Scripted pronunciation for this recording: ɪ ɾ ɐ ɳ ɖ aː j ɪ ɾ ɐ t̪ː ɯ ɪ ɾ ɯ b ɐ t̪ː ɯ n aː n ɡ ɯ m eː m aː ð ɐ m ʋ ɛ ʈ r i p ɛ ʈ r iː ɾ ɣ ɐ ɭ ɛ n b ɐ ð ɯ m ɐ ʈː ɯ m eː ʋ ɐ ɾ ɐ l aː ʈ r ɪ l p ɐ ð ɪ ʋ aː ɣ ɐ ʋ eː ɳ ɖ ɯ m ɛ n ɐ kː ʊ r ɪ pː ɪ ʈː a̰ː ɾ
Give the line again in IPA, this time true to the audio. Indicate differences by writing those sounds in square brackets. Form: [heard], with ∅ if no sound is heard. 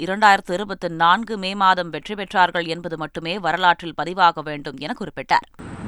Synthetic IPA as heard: ɪ ɾ ɐ ɳ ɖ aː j ɪ ɾ ɐ t̪ː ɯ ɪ ɾ ɯ b ɐ t̪ː ɯ n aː n ɡ ɯ m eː m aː ð ɐ m ʋ ɛ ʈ r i p ɛ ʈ r [aː] ɾ ɣ ɐ ɭ ɛ n b ɐ ð ɯ m ɐ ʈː ɯ m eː ʋ ɐ ɾ ɐ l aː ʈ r ɪ l p ɐ ð ɪ ʋ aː ɣ ɐ ʋ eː ɳ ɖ ɯ m ɛ n ɐ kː ʊ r ɪ pː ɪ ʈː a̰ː ɾ